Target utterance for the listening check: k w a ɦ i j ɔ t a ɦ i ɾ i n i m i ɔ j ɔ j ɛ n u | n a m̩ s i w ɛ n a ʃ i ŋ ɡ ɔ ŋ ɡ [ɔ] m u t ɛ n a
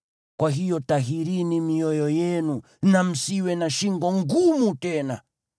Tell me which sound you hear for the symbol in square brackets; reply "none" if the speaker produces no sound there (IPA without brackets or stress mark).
u